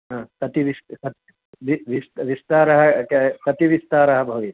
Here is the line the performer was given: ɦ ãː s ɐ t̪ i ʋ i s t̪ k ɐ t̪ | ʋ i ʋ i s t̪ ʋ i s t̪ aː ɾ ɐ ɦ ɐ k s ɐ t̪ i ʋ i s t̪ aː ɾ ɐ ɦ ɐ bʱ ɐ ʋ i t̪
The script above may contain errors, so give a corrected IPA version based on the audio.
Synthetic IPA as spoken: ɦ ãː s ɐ t̪ i ʋ i s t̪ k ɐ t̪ | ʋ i ʋ i s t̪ ʋ i s t̪ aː ɾ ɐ ɦ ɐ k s ɐ t̪ i ʋ i s t̪ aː ɾ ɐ ɦ ɐ bʱ ɐ ʋ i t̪